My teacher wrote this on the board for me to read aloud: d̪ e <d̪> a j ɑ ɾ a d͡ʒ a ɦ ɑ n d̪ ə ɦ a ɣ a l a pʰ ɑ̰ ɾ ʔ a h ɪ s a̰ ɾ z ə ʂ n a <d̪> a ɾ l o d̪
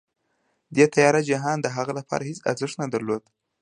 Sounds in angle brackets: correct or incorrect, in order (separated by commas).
incorrect, correct